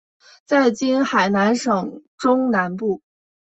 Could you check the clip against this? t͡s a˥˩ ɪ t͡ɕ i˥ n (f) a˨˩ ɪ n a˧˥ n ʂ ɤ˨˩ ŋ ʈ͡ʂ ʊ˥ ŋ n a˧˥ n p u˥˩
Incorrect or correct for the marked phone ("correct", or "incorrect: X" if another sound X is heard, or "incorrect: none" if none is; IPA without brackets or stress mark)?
incorrect: x